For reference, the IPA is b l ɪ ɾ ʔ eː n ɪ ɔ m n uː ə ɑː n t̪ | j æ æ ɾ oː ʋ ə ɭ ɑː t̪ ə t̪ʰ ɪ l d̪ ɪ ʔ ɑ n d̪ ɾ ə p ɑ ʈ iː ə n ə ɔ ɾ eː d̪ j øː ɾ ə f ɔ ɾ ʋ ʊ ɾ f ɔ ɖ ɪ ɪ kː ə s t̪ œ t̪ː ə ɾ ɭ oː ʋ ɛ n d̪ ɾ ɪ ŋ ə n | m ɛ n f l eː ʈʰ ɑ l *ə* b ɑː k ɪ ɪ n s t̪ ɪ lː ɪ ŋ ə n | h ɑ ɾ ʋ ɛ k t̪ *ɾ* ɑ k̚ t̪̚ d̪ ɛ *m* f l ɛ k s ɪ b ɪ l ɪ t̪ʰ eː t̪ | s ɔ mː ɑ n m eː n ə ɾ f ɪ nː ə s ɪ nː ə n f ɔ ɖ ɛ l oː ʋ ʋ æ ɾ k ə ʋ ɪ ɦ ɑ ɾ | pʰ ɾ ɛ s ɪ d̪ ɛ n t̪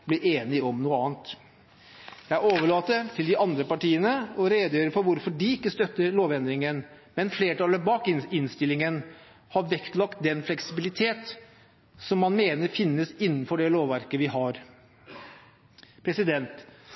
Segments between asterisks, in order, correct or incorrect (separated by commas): correct, incorrect, incorrect